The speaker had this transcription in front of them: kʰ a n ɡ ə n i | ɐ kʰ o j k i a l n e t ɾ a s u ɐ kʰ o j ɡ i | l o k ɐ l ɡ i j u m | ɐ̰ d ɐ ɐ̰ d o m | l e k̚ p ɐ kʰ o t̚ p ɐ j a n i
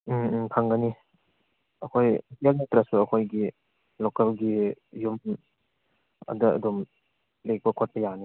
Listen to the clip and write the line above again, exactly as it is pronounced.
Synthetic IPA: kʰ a ŋ ɡ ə n i | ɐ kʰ o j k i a l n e t ɾ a s u ɐ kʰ o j ɡ i | l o k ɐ l ɡ i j u m | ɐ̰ d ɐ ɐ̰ d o m | l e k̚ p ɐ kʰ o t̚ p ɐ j a n i